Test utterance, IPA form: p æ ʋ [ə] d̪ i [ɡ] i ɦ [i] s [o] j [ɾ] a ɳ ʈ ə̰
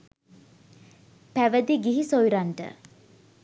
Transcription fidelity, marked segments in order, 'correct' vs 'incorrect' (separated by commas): correct, correct, correct, correct, correct